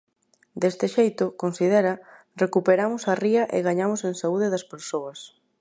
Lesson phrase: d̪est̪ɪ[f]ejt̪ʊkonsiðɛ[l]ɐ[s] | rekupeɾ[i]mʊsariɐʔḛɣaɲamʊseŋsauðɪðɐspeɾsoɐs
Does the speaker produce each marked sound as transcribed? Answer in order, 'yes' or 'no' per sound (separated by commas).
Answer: no, no, no, no